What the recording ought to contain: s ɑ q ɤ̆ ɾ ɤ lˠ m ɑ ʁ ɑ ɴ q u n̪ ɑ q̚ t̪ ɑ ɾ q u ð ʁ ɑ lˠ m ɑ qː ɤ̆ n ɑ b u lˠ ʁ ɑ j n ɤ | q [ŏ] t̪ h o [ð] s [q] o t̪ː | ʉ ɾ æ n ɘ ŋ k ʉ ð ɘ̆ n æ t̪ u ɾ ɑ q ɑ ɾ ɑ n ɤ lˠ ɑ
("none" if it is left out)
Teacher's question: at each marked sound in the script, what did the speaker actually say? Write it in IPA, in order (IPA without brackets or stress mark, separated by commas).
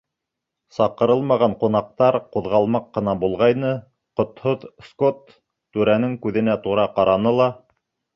ŏ, ð, k